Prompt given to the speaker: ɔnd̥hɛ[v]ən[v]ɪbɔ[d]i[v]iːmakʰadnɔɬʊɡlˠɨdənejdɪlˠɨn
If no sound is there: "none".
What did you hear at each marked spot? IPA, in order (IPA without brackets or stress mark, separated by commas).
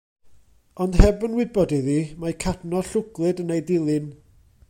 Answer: b, w, d, ð